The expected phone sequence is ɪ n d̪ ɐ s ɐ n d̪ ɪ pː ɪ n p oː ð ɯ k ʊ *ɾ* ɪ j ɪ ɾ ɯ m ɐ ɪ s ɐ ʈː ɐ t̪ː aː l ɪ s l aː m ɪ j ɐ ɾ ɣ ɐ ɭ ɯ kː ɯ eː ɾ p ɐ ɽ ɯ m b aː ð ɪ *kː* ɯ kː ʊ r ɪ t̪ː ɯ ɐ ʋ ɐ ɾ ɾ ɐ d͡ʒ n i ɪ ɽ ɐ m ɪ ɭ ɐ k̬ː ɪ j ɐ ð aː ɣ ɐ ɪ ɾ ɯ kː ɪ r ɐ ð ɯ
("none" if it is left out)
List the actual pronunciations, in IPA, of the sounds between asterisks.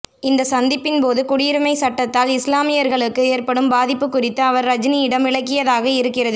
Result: ɽ, pː

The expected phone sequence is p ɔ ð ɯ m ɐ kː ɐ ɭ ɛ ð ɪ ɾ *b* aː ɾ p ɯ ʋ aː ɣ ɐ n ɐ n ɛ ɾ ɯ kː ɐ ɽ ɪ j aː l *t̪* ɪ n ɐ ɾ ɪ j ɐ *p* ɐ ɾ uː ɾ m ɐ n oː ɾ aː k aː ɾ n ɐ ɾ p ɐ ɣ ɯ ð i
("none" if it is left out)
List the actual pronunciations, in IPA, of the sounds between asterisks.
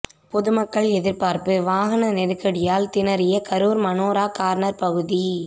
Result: p, t̪, k

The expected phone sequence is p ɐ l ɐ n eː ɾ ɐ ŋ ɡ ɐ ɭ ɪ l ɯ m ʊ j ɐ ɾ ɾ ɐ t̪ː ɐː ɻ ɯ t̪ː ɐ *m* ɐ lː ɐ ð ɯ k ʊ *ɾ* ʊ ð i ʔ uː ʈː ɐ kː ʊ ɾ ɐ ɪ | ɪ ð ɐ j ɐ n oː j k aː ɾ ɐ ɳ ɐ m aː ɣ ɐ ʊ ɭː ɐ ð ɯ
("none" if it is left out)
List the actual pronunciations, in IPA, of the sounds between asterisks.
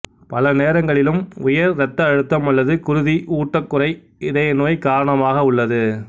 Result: m, ɾ

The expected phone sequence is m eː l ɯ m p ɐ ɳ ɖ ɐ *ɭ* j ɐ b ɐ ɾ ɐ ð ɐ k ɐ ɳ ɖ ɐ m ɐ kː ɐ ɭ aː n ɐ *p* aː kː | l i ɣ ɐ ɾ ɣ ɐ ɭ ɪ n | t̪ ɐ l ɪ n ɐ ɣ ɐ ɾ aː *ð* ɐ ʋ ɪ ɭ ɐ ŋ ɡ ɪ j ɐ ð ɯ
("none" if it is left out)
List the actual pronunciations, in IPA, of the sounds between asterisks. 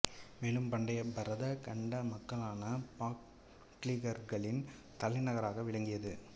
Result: none, p, ɣ

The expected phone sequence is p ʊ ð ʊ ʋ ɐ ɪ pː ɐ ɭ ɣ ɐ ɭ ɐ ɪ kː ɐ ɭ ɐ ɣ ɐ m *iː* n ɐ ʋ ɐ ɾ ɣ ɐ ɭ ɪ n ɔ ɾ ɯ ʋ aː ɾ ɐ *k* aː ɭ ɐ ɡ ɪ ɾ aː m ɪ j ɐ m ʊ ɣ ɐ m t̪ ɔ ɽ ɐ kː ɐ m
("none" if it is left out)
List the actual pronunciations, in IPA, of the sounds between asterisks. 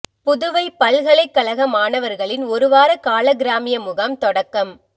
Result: aː, k

